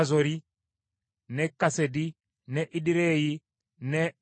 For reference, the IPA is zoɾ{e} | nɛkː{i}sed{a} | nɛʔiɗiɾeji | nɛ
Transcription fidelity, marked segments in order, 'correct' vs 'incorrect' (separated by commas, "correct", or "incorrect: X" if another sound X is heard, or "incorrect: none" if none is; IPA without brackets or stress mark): incorrect: i, incorrect: a, incorrect: i